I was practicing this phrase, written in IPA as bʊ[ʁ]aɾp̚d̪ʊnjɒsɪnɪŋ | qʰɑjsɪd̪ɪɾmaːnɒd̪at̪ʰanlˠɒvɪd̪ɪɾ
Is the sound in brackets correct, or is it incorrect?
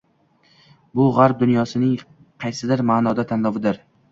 correct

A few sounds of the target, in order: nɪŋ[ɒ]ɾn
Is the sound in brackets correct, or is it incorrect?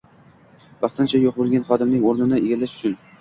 incorrect: o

